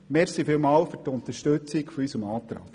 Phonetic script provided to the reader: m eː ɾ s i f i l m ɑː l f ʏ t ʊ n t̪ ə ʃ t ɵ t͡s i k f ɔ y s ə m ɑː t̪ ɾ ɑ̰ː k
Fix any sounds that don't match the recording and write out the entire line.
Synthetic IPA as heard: m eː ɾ s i f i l m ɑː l f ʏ t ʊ n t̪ ə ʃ t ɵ t͡s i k f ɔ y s ə m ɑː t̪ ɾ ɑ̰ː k